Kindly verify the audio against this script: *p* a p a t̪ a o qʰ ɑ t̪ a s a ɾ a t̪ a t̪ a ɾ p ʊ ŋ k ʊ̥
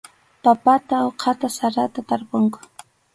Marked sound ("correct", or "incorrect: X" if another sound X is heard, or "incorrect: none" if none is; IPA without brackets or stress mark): correct